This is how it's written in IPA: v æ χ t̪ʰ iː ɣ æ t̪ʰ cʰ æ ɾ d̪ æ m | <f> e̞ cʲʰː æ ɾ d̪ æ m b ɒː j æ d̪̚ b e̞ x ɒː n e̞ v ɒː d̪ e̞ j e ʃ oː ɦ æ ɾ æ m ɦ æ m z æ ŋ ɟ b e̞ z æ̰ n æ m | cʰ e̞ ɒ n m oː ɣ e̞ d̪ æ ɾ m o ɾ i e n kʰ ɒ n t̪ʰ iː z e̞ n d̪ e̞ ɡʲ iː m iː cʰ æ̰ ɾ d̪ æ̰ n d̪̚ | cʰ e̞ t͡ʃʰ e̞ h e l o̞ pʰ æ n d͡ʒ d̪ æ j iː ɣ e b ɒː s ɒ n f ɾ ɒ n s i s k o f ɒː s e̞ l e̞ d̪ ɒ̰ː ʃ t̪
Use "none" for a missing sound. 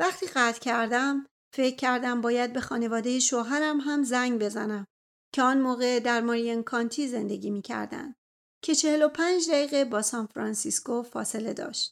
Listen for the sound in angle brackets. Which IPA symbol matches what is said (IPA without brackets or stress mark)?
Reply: f